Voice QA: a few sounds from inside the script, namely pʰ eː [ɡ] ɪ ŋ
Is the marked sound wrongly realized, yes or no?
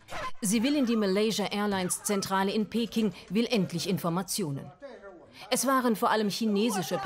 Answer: yes